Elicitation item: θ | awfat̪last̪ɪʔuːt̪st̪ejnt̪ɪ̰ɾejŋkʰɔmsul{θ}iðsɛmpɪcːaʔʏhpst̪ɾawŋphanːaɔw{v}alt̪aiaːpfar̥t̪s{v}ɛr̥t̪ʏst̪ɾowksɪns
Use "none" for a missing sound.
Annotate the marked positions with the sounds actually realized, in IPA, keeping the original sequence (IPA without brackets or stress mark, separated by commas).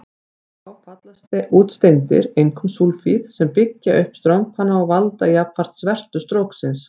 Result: f, v, v